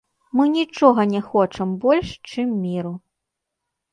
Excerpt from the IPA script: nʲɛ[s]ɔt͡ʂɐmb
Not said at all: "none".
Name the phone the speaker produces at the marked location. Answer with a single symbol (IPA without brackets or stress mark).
x